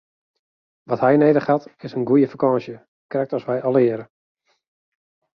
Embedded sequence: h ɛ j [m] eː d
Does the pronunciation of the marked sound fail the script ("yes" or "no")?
yes